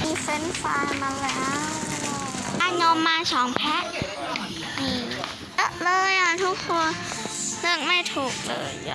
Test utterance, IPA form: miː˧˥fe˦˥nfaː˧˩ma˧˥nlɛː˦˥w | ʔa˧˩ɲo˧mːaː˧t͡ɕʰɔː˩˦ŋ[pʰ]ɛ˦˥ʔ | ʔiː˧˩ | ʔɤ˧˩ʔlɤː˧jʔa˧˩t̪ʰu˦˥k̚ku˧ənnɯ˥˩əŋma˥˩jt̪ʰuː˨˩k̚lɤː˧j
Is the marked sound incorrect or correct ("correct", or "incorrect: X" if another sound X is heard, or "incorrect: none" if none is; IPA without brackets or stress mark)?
correct